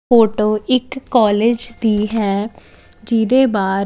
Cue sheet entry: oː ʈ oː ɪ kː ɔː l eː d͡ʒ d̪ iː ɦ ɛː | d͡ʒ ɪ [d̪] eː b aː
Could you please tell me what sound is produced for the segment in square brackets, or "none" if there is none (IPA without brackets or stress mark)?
d̪